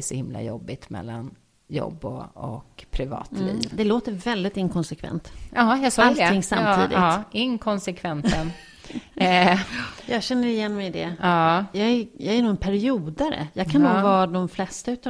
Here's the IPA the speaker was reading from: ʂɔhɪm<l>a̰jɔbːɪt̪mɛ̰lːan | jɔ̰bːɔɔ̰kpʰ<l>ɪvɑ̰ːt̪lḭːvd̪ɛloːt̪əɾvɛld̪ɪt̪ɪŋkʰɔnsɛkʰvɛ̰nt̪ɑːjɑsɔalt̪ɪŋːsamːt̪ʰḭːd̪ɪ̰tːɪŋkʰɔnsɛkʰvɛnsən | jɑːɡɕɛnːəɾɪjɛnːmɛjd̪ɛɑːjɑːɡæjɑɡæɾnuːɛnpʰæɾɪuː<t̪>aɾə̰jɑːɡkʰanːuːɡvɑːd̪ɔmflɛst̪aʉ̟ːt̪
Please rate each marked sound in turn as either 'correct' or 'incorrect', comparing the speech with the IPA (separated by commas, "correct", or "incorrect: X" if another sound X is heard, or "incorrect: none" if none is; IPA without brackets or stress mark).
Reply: correct, incorrect: ɾ, incorrect: d̪